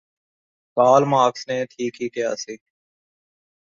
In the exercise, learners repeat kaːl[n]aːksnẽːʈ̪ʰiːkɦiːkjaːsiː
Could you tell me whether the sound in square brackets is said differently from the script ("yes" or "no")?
yes